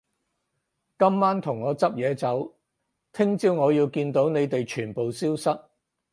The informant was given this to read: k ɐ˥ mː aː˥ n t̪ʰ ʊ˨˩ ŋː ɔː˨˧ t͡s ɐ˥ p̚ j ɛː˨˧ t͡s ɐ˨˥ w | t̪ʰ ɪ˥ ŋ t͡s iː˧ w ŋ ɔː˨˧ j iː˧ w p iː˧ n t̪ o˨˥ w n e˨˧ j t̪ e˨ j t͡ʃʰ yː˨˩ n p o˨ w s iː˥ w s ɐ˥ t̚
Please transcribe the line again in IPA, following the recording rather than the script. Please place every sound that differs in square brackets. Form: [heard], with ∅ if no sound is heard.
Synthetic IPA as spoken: k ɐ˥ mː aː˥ n t̪ʰ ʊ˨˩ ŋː ɔː˨˧ t͡s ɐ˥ p̚ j ɛː˨˧ t͡s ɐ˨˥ w | t̪ʰ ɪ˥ ŋ t͡s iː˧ w ŋ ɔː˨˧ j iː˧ w [k] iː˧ n t̪ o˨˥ w n e˨˧ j t̪ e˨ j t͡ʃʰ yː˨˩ n p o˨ w s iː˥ w s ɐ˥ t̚